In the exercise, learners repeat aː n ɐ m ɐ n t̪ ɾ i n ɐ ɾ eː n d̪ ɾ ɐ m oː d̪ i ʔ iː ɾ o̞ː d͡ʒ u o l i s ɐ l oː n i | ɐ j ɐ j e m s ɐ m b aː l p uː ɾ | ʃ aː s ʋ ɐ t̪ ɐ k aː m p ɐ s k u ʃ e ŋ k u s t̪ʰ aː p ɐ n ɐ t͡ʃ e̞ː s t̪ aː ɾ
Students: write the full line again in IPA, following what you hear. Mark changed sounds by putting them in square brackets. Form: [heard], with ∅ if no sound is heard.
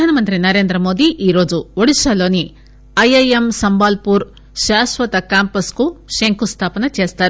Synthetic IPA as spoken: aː n ɐ m ɐ n t̪ ɾ i n ɐ ɾ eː n d̪ ɾ ɐ m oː d̪ i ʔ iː ɾ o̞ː d͡ʒ u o [ɽ] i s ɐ l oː n i | ɐ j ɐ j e m s ɐ m b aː l p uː ɾ | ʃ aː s ʋ ɐ t̪ ɐ k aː m p ɐ s k u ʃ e ŋ k u s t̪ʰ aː p ɐ n ɐ t͡ʃ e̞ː s t̪ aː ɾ